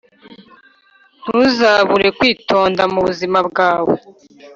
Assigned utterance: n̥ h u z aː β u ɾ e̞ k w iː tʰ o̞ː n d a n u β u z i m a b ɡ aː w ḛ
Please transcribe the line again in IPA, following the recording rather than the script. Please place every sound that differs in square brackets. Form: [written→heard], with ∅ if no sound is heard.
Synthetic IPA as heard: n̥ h u z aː β u ɾ e̞ k w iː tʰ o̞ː n d a [n→m] u β u z i m a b ɡ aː w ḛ